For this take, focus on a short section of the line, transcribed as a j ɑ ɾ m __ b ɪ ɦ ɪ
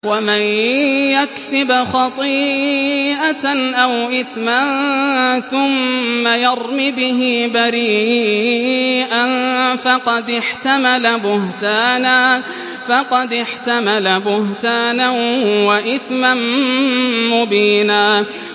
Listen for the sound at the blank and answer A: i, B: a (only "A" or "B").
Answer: A